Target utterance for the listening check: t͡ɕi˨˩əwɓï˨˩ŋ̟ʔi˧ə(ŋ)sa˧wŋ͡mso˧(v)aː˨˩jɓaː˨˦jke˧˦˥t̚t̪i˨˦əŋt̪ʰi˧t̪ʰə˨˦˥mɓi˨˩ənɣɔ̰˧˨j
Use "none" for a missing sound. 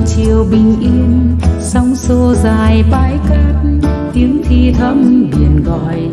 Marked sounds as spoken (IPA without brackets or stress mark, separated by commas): n, z